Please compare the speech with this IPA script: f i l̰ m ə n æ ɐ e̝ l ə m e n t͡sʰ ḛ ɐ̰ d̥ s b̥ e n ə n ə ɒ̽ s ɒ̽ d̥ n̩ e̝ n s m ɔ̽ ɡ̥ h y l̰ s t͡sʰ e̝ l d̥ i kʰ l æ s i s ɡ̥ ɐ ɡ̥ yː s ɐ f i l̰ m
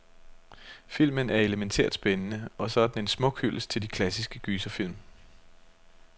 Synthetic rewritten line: f i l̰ m ə n æ ɐ e̝ l ə m e n t͡sʰ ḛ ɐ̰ d̥ s b̥ e n ə n ə ɒ̽ s ɒ̽ d̥ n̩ e̝ n s m ɔ̽ ɡ̥ h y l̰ s t͡sʰ e̝ l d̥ i kʰ l æ s i s ɡ̥ ə ɡ̥ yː s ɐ f i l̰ m